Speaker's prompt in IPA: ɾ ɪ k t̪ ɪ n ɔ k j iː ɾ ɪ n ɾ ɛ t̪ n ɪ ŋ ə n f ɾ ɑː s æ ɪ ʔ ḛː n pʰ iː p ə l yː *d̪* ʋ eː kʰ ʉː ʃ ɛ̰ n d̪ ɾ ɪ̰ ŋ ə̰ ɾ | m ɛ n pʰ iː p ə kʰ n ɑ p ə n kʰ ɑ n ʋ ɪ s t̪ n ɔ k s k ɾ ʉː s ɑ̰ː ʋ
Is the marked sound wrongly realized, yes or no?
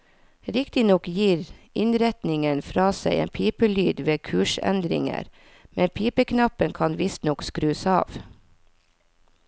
no